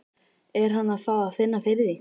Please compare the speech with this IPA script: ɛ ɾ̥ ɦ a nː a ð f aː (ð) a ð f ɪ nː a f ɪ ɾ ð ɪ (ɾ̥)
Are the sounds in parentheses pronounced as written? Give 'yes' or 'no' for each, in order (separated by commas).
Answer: yes, no